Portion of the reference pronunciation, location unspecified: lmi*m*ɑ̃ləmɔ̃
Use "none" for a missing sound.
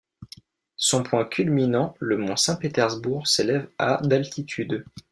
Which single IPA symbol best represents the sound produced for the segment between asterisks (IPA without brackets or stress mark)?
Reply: n